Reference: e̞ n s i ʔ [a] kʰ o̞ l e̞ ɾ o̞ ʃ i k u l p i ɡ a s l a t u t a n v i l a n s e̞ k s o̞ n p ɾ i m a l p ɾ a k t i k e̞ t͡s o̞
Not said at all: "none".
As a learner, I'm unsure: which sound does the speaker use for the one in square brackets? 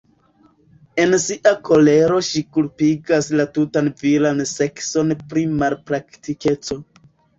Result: a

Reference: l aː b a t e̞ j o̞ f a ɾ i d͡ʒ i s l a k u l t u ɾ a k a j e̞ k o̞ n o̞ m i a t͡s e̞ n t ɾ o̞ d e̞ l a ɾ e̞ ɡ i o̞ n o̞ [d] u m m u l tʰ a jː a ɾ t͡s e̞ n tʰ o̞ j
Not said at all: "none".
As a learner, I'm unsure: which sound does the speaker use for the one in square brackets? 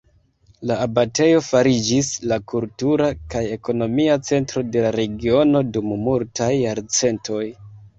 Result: d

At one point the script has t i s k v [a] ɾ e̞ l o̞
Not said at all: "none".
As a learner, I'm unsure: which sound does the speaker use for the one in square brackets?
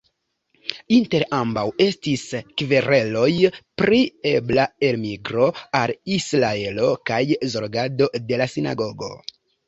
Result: e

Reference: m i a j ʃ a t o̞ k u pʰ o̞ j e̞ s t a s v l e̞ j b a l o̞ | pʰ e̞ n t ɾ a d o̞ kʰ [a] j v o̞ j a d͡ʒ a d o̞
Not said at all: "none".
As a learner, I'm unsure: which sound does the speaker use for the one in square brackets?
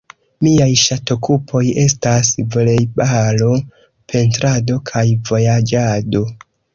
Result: a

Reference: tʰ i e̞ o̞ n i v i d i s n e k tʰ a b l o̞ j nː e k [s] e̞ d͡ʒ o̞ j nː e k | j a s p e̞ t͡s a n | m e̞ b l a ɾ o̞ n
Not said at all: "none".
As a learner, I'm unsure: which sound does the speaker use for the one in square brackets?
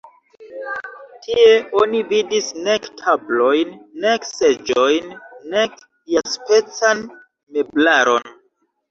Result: s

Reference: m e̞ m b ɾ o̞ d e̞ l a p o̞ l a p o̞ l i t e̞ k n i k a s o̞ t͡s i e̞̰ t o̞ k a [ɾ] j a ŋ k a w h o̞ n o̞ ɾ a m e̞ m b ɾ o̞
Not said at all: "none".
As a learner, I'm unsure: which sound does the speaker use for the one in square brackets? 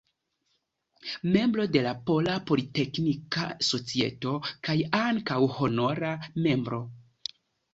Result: none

